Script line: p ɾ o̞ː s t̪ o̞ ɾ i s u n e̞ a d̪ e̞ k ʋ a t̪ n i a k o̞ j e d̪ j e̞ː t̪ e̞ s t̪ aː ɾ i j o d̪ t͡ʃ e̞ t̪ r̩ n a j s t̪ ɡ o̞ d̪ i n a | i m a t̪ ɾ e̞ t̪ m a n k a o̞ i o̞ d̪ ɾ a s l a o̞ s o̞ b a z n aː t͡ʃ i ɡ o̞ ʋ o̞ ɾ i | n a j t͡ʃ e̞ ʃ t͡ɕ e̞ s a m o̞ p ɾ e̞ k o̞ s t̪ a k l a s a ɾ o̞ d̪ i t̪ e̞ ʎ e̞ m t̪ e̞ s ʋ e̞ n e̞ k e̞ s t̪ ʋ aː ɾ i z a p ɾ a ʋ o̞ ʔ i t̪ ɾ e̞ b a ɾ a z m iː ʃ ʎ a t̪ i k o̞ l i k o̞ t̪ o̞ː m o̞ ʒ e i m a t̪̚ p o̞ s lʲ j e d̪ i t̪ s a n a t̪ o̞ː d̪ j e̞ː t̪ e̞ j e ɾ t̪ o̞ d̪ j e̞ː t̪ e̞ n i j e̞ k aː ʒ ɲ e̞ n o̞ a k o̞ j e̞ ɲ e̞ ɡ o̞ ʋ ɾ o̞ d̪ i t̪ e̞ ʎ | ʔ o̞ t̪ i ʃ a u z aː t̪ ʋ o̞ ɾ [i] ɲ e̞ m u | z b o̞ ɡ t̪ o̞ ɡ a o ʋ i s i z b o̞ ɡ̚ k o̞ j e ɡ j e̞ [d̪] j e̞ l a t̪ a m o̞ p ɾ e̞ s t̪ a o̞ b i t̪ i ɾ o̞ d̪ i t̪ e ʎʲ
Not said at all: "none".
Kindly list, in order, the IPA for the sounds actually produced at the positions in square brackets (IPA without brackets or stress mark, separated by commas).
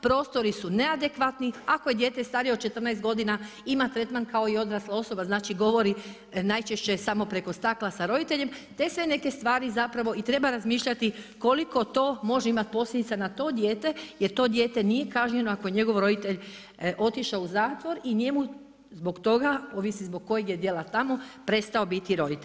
i, d̪